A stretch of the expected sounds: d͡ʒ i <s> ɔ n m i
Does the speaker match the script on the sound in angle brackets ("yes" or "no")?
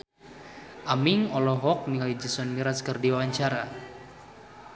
yes